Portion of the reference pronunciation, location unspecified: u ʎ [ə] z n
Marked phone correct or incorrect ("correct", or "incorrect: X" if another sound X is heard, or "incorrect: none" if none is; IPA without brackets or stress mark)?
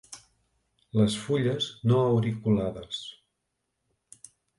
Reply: correct